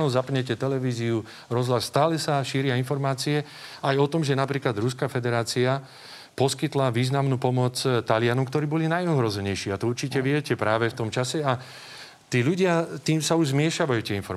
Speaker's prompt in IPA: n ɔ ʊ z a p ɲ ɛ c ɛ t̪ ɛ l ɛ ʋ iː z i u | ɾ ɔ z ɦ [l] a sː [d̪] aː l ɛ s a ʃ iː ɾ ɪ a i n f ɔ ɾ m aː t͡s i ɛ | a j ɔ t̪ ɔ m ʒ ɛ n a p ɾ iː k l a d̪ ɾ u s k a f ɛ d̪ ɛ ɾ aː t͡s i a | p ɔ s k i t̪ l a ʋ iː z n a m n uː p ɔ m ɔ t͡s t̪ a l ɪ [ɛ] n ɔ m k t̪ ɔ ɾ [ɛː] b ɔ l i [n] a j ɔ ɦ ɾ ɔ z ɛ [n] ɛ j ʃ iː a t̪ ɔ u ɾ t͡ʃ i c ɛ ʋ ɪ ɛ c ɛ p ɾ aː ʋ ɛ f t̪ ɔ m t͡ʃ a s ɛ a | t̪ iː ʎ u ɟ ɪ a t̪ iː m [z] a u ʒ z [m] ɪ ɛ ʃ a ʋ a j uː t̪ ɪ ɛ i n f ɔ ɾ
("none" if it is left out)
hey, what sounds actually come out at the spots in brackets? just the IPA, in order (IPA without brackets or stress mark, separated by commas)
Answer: l, t̪, a, iː, n, ɲ, s, m